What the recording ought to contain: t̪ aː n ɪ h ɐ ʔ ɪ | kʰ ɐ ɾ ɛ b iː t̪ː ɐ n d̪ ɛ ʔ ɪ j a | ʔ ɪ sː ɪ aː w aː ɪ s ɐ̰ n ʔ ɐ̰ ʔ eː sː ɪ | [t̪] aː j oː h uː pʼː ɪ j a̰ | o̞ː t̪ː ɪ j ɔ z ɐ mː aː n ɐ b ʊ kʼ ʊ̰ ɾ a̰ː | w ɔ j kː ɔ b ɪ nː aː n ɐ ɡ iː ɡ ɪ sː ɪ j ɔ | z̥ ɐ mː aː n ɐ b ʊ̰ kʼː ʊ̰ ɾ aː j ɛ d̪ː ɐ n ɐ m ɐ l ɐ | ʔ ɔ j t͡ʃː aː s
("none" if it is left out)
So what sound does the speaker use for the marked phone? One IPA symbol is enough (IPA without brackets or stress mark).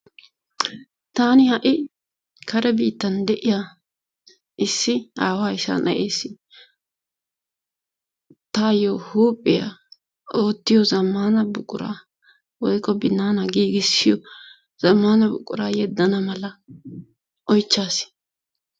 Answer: t̪